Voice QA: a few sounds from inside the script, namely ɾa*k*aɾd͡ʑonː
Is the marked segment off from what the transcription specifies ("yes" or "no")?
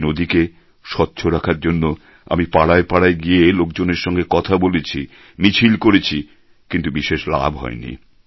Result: yes